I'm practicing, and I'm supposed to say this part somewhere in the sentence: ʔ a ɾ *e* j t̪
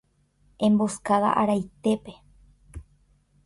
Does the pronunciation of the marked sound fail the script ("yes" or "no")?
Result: yes